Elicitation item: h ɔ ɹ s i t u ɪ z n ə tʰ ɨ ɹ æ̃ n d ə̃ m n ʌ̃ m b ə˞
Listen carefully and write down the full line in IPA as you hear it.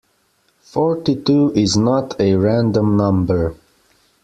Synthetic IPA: f ɔ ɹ t i t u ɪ z n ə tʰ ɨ ɹ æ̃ n d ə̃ m n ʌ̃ m b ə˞